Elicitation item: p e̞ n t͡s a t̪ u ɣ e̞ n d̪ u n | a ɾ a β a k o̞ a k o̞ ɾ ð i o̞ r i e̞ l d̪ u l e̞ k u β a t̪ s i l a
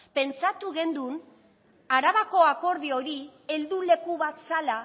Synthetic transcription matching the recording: p e̞ n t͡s a t̪ u ɣ e̞ n d̪ u n | a ɾ a β a k o̞ a k o̞ ɾ ð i o̞ ɾ i e̞ l d̪ u l e̞ k u β a t̪ s a l a